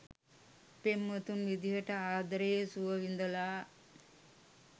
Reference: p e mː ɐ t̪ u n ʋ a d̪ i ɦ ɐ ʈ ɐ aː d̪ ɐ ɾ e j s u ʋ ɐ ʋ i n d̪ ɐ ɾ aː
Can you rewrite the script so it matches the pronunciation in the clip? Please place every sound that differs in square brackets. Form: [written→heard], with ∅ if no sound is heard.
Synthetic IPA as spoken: p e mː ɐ t̪ u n ʋ [a→i] d̪ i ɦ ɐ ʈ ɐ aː d̪ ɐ ɾ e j s u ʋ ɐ ʋ i n d̪ ɐ [ɾ→l] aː